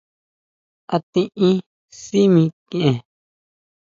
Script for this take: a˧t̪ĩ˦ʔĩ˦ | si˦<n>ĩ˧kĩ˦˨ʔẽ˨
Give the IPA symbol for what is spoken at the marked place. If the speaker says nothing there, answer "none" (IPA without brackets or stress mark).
m